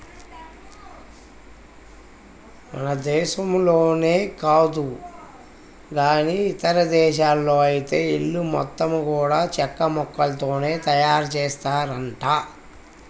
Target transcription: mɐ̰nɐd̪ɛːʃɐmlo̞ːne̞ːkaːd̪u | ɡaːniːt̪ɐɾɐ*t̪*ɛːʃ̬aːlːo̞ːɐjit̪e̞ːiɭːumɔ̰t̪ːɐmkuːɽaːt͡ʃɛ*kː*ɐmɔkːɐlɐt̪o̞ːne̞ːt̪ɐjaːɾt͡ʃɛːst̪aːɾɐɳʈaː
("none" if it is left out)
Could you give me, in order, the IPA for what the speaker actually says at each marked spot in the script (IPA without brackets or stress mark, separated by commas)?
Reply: d̪, kː